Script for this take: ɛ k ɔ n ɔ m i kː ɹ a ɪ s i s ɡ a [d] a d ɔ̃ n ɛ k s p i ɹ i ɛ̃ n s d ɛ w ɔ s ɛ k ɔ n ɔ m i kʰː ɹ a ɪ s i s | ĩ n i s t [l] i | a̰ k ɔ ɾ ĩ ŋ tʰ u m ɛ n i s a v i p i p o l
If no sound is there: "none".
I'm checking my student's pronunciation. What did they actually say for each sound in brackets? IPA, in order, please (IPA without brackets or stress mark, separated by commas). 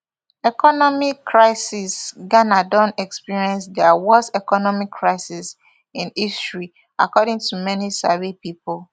n, ɹ